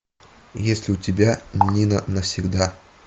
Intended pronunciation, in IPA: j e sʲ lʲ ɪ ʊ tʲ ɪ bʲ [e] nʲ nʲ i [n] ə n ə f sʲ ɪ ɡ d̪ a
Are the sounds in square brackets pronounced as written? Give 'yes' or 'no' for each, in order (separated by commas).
no, yes